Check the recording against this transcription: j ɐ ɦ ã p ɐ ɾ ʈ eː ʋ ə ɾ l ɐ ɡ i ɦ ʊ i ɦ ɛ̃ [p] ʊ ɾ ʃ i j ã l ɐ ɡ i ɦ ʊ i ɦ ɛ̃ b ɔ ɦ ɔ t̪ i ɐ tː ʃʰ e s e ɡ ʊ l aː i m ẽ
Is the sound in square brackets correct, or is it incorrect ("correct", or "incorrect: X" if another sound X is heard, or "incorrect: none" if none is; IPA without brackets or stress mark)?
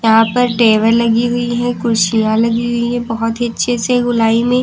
incorrect: k